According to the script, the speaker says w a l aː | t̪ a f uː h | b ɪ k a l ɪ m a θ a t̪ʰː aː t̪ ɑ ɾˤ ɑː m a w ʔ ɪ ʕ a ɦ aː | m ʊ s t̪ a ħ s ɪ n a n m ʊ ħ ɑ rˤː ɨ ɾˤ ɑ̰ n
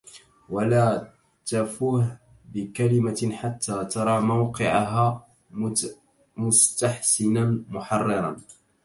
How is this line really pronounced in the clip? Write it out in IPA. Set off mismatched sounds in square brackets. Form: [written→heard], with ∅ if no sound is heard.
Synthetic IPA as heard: w a l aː | t̪ a f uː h | b ɪ k a l ɪ m a [θ→ħ] a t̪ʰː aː t̪ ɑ ɾˤ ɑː m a w [ʔ→q] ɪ ʕ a ɦ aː | m ʊ s t̪ a ħ s ɪ n a n m ʊ ħ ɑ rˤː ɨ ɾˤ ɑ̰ n